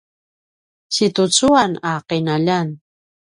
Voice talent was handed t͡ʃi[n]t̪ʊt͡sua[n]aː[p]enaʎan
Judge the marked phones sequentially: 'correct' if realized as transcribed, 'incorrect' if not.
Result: incorrect, correct, incorrect

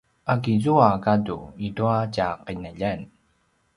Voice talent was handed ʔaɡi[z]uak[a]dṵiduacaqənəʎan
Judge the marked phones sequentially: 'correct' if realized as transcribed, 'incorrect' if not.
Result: correct, correct

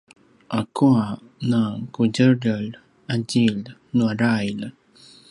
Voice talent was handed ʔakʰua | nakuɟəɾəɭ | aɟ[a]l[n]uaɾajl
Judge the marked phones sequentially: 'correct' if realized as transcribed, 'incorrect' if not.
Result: incorrect, correct

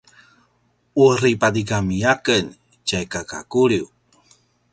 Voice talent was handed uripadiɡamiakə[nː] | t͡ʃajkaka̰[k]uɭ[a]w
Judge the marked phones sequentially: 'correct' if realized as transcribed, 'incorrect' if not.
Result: incorrect, correct, incorrect

